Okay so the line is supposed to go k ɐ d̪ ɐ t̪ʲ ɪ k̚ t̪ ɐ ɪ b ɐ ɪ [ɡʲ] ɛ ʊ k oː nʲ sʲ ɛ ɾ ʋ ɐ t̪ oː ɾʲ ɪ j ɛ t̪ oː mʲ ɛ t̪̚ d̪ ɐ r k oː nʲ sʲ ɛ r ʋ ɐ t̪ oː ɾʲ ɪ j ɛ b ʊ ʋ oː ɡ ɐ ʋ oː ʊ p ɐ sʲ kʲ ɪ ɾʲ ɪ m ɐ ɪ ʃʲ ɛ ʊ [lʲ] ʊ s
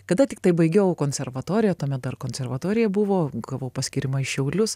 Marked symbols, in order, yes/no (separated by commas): yes, yes